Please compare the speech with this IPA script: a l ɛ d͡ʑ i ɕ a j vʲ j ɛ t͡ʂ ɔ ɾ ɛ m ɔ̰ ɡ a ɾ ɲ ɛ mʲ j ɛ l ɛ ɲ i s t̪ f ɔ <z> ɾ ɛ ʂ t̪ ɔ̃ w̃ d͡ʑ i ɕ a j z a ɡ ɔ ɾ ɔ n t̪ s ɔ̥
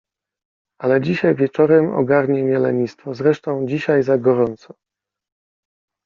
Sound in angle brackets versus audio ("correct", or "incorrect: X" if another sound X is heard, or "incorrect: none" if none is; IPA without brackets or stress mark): correct